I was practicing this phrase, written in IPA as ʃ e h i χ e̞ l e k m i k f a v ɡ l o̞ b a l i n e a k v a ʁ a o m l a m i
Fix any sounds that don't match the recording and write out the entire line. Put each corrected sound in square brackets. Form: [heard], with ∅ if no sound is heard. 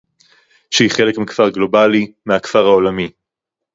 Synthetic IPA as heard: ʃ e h i χ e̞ l e k m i k f a [ʁ] ɡ l o̞ b a l i [m] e a k [f] a ʁ a o [∅] l a m i